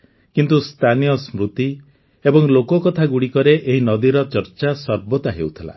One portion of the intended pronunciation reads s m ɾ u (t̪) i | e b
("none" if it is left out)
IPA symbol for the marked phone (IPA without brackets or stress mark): t̪